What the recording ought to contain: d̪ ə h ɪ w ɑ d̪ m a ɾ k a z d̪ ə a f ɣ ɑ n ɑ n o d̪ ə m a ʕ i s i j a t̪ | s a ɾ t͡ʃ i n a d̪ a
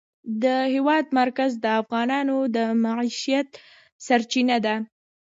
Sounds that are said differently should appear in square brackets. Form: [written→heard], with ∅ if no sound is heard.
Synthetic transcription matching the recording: d̪ ə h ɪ w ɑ d̪ m a ɾ k a z d̪ ə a f ɣ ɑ n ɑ n o d̪ ə m a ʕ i [s→ʃ] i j a t̪ | s a ɾ t͡ʃ i n a d̪ a